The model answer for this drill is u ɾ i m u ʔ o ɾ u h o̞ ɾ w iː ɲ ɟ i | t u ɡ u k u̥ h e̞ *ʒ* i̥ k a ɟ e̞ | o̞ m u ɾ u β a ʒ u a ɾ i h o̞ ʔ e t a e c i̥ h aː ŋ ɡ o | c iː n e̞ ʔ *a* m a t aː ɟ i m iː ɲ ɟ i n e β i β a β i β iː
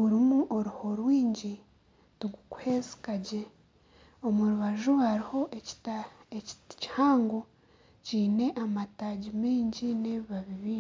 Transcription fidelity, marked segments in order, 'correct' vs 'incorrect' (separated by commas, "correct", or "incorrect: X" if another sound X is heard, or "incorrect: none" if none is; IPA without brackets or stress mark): incorrect: z, correct